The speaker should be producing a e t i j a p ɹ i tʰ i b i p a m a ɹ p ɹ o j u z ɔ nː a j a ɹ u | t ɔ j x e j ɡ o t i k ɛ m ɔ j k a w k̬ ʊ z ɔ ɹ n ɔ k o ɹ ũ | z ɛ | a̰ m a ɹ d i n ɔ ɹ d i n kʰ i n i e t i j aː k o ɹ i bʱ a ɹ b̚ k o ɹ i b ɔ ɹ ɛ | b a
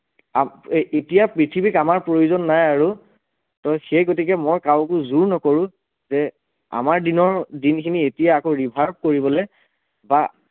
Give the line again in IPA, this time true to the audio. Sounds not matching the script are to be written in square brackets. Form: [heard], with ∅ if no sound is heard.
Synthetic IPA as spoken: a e t i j a p ɹ i tʰ i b i [k] a m a ɹ p ɹ o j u z ɔ nː a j a ɹ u | t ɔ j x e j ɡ o t i k ɛ m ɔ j k a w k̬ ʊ z [u] ɹ n ɔ k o ɹ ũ | z ɛ | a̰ m a ɹ d i n ɔ ɹ d i n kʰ i n i e t i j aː k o ɹ i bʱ a ɹ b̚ k o ɹ i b ɔ [l] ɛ | b a